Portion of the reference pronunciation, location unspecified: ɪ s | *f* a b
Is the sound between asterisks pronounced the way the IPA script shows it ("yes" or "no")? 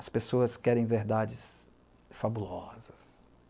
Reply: yes